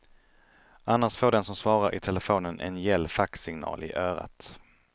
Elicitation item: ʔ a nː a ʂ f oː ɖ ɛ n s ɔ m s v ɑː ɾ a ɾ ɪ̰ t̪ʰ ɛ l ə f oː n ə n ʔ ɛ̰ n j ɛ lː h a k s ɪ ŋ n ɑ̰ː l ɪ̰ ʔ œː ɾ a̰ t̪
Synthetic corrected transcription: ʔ a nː a ʂ f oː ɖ ɛ n s ɔ m s v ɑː ɾ a ɾ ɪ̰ t̪ʰ ɛ l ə f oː n ə n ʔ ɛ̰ n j ɛ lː f a k s ɪ ŋ n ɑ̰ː l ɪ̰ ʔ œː ɾ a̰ t̪